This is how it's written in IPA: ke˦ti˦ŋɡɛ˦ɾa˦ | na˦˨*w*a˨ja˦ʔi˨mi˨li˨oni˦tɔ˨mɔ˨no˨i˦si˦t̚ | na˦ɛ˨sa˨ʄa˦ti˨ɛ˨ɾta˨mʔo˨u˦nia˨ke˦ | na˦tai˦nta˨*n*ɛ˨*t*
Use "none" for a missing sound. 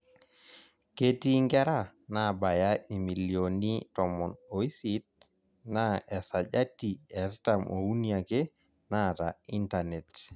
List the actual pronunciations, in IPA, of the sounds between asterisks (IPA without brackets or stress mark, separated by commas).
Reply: b, n, t